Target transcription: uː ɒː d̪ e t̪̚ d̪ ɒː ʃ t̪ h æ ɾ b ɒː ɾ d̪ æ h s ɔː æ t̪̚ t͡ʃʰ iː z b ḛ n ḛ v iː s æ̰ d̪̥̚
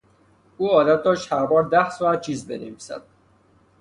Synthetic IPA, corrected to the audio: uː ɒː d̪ æ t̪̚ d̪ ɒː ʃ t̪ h æ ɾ b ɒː ɾ d̪ æ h s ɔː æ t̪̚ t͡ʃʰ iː z b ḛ n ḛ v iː s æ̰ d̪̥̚